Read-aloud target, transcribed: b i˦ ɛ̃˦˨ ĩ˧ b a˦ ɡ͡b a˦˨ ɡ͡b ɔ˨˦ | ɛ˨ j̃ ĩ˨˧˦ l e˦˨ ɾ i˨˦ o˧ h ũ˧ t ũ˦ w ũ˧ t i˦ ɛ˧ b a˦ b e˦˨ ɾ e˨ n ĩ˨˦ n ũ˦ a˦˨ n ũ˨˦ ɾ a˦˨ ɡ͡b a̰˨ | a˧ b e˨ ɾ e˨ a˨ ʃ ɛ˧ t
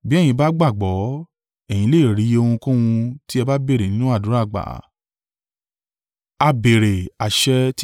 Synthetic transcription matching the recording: b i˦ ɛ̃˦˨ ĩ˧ b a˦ ɡ͡b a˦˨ ɡ͡b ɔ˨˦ | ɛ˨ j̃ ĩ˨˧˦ l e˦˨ ɾ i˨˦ o˧ h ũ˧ k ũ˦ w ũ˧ t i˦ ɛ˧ b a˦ b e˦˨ ɾ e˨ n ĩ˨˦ n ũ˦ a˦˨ d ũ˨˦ ɾ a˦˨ ɡ͡b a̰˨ | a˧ b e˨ ɾ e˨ a˨ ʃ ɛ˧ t